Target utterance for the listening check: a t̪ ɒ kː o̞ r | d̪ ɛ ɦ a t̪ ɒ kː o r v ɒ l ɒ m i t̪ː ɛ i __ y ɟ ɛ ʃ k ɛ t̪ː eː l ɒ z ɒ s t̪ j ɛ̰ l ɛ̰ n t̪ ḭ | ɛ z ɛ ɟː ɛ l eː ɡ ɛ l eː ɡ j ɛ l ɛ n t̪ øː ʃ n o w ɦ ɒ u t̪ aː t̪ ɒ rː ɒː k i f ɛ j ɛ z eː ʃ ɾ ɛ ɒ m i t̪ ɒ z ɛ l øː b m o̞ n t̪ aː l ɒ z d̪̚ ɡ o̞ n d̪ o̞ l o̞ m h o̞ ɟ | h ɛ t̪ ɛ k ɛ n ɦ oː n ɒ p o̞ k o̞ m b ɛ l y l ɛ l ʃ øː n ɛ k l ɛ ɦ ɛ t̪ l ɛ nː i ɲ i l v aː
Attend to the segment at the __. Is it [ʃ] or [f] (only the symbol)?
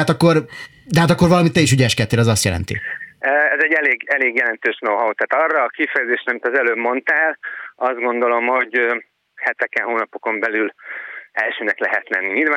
ʃ